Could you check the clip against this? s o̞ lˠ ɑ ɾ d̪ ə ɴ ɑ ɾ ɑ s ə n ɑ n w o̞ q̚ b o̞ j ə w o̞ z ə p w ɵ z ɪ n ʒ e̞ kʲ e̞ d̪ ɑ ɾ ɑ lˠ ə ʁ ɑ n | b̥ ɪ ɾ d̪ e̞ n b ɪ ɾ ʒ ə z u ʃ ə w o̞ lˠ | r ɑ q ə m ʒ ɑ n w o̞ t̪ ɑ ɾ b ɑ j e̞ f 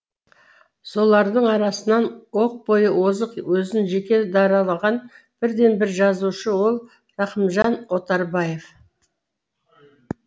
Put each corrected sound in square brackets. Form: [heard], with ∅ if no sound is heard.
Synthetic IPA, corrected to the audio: s o̞ lˠ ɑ ɾ d̪ ə ɴ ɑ ɾ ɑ s ə n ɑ n w o̞ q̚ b o̞ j ə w o̞ z ə [q] w ɵ z ɪ n ʒ e̞ kʲ e̞ d̪ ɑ ɾ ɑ lˠ [ɑ] ʁ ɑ n | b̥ ɪ ɾ d̪ e̞ n b ɪ ɾ ʒ [ɑ] z u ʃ ə w o̞ lˠ | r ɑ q ə m ʒ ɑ n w o̞ t̪ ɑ ɾ b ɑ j e̞ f